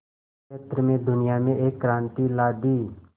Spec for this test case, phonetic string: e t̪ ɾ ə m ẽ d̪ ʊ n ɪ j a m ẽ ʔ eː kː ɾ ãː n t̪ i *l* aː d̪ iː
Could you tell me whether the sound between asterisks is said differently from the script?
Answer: no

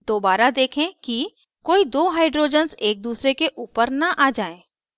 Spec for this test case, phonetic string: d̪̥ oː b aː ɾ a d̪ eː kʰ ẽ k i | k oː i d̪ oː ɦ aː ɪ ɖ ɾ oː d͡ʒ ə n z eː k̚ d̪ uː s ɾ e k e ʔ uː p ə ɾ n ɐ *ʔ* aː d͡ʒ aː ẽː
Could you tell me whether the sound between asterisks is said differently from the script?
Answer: no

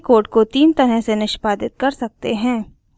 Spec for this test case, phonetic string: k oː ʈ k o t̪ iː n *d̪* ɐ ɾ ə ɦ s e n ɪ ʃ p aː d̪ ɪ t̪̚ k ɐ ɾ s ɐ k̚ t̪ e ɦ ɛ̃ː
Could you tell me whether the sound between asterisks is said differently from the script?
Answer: yes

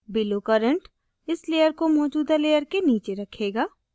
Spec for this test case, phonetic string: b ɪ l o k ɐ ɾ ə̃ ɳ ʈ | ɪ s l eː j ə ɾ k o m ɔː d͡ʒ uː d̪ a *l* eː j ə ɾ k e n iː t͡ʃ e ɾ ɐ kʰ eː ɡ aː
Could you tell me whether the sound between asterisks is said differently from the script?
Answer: no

